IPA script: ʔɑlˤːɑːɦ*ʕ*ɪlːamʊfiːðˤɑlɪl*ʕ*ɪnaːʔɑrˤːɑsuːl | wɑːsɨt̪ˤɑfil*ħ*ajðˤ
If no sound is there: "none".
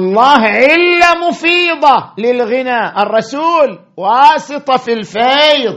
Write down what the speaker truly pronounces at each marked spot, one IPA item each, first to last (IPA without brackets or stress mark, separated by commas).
ʕ, ɣ, f